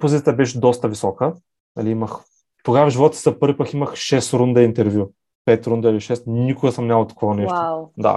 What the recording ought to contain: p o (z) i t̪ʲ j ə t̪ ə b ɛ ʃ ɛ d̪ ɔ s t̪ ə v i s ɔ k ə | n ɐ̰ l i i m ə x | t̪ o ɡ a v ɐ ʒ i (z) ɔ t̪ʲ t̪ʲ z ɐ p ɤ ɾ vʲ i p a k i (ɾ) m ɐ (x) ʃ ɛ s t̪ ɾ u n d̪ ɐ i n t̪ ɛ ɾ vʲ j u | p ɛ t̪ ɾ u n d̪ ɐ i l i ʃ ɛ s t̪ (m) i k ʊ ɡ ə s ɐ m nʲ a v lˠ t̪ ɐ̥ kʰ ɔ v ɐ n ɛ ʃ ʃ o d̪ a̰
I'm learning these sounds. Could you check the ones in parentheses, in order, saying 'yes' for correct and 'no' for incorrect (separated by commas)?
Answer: yes, no, no, yes, no